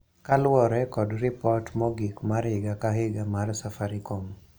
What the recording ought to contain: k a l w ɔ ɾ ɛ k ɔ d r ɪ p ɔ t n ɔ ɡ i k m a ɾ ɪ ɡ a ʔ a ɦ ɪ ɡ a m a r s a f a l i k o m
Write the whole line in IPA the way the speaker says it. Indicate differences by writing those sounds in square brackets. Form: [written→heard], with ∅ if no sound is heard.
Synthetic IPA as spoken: k a l w ɔ ɾ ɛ k ɔ d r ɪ p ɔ t [n→m] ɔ ɡ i k m a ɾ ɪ ɡ a [ʔ→k] a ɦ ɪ ɡ a m a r s a f a [l→ɾ] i k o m

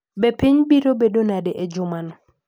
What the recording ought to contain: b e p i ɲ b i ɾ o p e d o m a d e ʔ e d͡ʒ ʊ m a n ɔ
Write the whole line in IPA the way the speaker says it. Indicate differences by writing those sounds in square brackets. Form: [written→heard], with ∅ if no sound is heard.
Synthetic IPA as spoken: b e p i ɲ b i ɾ o [p→b] e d o [m→n] a d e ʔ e d͡ʒ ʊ m a n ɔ

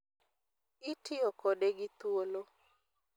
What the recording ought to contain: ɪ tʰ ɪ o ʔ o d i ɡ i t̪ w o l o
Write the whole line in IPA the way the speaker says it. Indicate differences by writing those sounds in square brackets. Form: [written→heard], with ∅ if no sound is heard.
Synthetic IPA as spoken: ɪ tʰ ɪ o [ʔ→k] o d [i→e] ɡ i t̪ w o l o

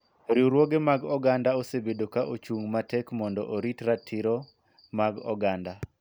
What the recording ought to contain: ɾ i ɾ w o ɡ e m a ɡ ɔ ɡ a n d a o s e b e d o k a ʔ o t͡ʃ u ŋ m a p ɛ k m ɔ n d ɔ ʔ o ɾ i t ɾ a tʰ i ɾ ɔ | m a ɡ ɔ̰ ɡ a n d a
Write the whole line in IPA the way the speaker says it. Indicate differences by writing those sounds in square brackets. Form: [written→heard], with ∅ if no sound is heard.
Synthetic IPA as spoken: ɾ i ɾ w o ɡ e m a ɡ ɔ ɡ a n d a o s e b e d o k a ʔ o t͡ʃ u ŋ m a [p→t] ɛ k m ɔ n d ɔ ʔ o ɾ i t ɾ a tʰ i ɾ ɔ | m a ɡ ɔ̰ ɡ a n d a

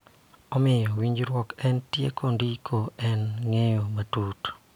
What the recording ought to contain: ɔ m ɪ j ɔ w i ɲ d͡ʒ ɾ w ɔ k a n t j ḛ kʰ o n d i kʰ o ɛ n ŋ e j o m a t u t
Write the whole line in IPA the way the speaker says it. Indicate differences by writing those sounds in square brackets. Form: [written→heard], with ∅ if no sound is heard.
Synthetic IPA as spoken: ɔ m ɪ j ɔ w i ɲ d͡ʒ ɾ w ɔ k [a→ɛ] n t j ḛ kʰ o n d i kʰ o ɛ n ŋ e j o m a t u t

